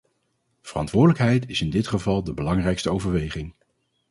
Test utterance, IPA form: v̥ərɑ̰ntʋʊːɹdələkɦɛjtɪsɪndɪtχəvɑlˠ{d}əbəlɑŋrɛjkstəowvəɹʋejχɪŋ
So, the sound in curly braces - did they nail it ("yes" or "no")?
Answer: yes